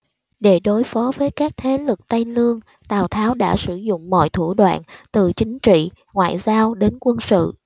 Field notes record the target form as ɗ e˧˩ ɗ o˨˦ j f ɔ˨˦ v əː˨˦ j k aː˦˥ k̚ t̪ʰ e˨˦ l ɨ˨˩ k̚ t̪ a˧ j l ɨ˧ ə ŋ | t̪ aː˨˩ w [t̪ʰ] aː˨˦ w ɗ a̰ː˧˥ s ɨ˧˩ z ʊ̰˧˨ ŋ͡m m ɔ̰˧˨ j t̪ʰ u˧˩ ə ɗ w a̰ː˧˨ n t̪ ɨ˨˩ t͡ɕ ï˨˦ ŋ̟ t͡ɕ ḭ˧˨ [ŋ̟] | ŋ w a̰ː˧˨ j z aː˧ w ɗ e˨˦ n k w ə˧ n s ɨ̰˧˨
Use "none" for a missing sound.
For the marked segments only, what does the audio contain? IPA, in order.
t̪ʰ, none

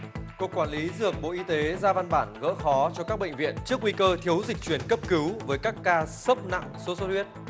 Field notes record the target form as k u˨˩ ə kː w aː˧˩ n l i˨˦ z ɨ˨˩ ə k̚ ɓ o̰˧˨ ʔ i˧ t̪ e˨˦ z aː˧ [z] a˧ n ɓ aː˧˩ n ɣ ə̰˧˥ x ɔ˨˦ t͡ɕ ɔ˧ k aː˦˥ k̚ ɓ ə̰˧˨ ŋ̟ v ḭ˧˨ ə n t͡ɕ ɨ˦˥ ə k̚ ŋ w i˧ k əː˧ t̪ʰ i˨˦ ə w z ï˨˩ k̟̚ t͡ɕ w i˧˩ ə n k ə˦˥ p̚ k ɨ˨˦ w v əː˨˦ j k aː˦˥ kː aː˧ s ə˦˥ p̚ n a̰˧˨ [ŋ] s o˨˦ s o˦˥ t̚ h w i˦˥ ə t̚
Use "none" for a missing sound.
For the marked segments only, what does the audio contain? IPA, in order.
v, ŋ

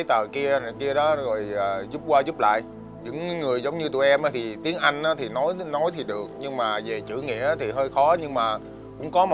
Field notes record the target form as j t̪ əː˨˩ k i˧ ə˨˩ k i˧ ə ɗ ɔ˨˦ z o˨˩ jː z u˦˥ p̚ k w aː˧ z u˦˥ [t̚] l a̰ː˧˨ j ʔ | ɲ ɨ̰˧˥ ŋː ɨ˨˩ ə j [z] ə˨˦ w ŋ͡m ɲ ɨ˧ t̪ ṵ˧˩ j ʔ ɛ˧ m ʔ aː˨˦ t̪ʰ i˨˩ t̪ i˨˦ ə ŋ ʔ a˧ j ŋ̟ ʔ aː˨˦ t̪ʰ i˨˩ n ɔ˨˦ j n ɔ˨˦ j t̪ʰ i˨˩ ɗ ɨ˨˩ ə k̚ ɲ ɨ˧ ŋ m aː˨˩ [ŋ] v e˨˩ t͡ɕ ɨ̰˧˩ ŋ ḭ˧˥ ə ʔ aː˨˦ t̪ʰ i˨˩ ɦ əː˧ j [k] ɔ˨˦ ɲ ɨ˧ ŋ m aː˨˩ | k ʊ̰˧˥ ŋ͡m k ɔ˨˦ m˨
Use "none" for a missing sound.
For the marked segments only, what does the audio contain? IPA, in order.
p̚, z, none, x

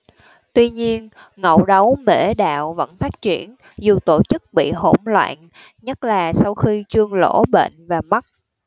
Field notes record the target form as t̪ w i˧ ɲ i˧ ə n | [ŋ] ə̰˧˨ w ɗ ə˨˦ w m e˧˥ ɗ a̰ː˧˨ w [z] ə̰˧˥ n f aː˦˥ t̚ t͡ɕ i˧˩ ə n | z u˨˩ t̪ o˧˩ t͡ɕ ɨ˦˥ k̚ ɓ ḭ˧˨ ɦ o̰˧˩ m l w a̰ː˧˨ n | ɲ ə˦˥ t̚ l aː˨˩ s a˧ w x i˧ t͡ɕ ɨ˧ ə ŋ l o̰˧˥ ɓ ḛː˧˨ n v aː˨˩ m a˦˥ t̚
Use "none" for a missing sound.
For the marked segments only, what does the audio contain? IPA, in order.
ŋ, v

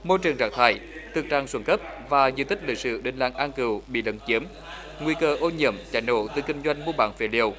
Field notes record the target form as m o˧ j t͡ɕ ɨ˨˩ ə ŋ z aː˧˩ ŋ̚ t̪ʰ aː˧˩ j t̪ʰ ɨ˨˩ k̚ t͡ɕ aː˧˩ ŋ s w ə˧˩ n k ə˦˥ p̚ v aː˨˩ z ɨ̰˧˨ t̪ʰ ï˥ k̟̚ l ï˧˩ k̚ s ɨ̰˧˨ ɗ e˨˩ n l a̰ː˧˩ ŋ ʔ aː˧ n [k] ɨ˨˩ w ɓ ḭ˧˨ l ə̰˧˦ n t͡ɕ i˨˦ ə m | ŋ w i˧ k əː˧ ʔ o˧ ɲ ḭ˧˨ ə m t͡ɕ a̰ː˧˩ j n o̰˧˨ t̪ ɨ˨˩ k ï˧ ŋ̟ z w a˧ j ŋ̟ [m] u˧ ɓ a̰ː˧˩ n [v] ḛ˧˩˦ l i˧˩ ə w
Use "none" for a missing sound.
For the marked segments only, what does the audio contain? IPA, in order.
k, m, f

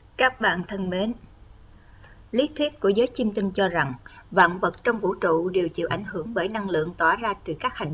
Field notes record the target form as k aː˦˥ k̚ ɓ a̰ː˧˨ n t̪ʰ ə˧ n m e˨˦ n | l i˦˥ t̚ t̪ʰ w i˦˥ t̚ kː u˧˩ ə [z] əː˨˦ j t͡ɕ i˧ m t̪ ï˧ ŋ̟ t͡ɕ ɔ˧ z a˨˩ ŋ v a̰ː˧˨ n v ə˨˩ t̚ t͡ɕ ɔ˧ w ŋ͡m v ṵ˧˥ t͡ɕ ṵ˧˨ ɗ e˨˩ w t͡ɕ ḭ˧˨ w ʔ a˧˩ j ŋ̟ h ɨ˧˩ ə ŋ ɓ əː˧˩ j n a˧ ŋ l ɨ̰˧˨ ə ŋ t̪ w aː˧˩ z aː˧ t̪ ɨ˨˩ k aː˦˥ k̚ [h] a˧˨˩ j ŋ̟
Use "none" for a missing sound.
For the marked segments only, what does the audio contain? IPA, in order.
z, h

